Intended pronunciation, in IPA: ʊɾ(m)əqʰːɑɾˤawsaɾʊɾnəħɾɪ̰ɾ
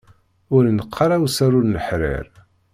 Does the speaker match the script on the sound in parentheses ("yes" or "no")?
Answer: no